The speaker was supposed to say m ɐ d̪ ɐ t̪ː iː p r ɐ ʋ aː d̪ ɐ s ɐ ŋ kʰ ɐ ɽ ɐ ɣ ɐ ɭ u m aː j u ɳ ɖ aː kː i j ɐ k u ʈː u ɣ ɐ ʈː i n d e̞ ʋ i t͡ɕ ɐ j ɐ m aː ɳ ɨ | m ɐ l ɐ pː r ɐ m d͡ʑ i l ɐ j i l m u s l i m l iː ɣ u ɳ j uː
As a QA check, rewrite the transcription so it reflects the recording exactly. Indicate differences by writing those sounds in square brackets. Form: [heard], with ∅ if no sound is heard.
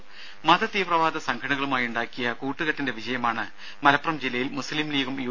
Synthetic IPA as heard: m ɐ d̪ ɐ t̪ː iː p r ɐ ʋ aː d̪ ɐ s ɐ ŋ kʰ ɐ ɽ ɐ ɣ ɐ ɭ u m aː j u ɳ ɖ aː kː i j ɐ k [uː] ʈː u ɣ ɐ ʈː i n d e̞ ʋ i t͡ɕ ɐ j ɐ m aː ɳ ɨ | m ɐ l ɐ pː r ɐ m d͡ʑ i l ɐ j i l m u s l i m l iː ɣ u [m] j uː